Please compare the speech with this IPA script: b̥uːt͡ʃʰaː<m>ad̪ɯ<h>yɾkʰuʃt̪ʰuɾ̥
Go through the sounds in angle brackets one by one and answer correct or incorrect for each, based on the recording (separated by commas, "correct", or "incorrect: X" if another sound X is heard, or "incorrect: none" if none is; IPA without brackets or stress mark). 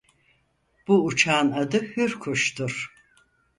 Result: incorrect: n, correct